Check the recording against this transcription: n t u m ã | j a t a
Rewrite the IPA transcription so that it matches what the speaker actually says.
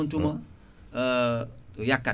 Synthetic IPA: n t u m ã | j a k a